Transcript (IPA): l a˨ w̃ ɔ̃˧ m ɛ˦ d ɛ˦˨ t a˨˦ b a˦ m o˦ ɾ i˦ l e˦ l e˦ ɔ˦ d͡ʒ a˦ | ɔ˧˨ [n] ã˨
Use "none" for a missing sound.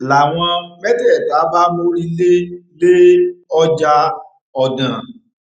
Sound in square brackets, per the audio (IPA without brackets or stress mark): d